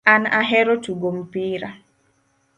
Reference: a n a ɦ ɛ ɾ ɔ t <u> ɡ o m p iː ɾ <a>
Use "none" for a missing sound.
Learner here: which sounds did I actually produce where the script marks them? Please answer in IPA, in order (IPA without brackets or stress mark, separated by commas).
u, a